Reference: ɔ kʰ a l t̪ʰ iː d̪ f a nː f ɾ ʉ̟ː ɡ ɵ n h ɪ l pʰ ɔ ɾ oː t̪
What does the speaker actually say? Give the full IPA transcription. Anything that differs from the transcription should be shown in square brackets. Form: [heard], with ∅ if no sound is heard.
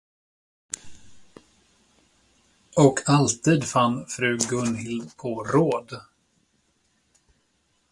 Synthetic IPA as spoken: ɔ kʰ a l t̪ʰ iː d̪ f a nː f ɾ ʉ̟ː ɡ ɵ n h ɪ l pʰ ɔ ɾ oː [d̪]